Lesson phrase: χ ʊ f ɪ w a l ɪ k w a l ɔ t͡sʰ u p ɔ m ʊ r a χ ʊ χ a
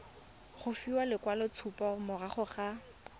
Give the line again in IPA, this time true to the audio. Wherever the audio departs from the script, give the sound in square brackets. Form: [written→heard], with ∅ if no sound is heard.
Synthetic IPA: χ ʊ f [ɪ→i] w a l ɪ k w a l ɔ t͡sʰ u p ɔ m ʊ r a χ ʊ χ a